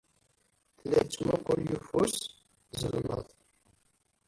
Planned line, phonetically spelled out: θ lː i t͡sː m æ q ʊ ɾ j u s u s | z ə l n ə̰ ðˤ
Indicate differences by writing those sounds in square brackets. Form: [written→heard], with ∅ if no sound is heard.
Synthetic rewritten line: θ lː [i→æ] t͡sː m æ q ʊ ɾ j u [s→f] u s | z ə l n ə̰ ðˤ